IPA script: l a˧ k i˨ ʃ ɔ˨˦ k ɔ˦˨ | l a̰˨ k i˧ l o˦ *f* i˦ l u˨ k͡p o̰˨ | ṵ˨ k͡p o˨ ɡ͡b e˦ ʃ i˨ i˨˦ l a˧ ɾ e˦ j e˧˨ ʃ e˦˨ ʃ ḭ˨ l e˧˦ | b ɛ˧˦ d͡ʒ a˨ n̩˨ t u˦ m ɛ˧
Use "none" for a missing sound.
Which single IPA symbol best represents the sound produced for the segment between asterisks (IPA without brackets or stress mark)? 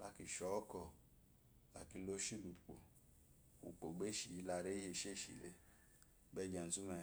ʃ